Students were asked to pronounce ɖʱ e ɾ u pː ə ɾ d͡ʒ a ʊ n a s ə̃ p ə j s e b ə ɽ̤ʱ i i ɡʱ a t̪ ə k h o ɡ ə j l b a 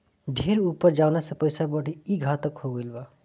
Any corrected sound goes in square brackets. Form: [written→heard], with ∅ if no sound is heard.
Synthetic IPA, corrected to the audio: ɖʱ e ɾ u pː ə ɾ d͡ʒ a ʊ n a s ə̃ p ə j s [e→a] b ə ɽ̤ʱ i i ɡʱ a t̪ ə k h o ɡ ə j l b a